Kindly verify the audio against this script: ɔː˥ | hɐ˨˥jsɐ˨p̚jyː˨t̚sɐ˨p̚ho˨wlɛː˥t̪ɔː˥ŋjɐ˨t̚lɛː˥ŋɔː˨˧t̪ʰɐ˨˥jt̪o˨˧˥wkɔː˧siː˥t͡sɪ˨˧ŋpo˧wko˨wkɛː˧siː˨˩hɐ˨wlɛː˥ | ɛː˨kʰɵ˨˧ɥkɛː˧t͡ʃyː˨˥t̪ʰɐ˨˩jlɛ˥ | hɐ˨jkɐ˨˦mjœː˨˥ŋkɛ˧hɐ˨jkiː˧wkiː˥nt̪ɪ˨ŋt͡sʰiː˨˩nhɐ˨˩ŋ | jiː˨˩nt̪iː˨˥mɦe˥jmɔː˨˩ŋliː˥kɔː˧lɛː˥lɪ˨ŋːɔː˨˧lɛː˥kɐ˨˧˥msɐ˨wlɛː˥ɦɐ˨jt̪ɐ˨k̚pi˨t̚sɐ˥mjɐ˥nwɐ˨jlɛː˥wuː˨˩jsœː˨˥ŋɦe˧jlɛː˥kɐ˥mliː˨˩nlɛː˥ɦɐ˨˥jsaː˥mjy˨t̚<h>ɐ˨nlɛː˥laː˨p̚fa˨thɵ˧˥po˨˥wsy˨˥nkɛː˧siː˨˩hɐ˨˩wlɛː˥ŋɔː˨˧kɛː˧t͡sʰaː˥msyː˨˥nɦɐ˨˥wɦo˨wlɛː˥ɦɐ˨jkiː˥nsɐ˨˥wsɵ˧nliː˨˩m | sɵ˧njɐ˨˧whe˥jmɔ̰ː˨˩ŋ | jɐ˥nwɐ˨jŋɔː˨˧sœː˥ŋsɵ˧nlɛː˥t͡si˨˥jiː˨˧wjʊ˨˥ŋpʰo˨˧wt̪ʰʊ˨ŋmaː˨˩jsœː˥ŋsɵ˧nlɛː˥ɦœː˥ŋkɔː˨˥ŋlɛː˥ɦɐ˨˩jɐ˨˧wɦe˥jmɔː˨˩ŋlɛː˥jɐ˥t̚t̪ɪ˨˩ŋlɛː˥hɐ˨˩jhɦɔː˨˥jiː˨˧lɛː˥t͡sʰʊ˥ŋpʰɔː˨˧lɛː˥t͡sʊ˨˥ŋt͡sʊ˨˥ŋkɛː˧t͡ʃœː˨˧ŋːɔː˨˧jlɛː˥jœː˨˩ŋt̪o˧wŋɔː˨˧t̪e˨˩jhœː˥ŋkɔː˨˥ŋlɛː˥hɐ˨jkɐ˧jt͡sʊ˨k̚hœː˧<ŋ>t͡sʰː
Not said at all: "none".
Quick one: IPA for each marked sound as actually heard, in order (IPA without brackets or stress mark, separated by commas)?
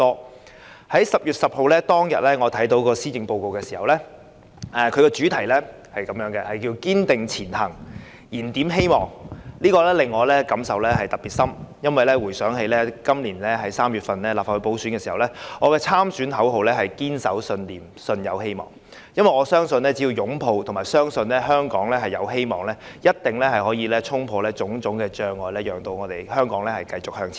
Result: f, ŋ